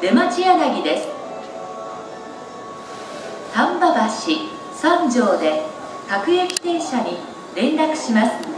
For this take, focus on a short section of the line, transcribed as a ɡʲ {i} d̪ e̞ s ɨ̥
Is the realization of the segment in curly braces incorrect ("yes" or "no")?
no